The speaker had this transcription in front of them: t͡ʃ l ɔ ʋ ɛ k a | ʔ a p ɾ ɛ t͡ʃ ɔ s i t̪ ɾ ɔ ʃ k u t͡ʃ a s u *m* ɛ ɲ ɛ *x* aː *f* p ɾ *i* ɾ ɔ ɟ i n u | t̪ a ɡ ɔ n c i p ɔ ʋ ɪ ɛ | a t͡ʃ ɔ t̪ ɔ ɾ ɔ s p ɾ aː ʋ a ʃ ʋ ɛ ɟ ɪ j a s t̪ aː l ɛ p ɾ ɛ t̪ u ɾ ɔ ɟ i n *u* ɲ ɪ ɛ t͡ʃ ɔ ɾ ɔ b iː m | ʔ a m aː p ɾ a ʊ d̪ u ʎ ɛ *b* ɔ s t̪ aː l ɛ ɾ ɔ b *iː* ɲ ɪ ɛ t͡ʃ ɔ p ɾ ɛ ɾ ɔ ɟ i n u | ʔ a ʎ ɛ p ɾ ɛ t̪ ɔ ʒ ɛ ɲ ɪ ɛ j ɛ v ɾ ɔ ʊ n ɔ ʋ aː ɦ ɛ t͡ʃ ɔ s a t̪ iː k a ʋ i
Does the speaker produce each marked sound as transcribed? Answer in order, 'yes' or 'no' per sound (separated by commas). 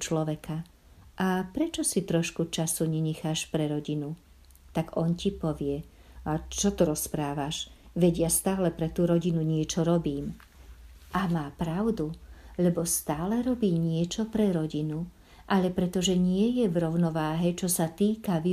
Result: no, yes, no, no, yes, yes, yes